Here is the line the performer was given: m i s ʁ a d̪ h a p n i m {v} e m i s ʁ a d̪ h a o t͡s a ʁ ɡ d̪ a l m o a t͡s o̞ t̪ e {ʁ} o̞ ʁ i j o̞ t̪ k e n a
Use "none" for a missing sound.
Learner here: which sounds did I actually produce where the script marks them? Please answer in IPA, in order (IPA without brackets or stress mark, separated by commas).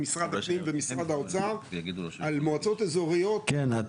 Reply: v, z